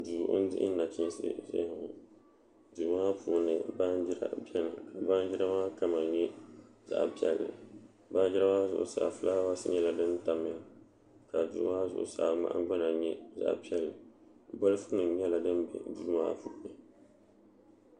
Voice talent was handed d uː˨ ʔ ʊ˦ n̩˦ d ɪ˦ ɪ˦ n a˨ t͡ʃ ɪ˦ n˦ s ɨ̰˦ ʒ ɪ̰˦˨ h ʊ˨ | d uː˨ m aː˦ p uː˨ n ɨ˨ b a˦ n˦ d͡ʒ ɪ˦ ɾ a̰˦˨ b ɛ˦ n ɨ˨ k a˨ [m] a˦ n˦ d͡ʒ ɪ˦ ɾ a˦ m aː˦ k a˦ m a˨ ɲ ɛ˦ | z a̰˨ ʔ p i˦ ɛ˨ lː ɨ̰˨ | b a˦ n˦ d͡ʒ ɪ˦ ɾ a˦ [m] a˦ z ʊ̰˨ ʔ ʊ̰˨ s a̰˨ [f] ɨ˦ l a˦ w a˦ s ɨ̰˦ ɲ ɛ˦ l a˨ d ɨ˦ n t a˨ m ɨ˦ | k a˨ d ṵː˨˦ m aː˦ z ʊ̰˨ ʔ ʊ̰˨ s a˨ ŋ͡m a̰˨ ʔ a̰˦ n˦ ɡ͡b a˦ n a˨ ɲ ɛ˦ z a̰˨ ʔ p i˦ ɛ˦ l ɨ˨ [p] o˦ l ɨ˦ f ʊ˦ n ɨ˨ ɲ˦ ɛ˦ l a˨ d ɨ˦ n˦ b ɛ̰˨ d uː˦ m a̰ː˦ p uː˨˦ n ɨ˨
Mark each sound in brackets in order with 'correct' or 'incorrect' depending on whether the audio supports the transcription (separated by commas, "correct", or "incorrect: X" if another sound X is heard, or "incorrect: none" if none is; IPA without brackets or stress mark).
incorrect: b, correct, correct, incorrect: b